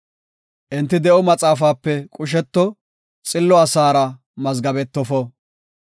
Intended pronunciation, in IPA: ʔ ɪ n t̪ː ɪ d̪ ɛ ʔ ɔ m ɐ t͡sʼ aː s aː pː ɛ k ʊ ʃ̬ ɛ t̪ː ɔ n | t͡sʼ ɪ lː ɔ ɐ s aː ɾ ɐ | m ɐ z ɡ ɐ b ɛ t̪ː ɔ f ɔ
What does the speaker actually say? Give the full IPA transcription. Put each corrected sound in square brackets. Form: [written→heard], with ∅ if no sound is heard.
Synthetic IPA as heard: ʔ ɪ n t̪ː ɪ d̪ ɛ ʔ ɔ m ɐ t͡sʼ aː [s→f] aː pː ɛ [k→kʼ] ʊ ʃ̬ ɛ t̪ː ɔ [n→∅] | t͡sʼ ɪ lː ɔ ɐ s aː ɾ ɐ | m ɐ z ɡ ɐ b ɛ t̪ː ɔ f ɔ